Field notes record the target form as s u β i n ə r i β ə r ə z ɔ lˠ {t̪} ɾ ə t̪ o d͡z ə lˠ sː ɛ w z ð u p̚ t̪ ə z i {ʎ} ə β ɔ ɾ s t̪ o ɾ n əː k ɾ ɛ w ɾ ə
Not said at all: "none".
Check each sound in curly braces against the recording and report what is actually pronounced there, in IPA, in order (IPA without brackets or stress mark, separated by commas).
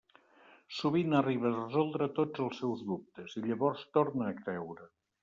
d̪, ʎ